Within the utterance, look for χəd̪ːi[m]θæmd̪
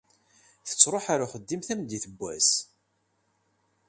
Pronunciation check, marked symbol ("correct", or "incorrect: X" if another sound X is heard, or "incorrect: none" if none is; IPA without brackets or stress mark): correct